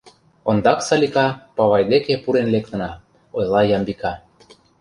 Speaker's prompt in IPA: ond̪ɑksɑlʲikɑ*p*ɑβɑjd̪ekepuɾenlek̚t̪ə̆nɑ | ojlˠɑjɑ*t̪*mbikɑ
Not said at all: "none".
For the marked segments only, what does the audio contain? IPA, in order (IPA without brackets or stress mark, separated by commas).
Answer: p, none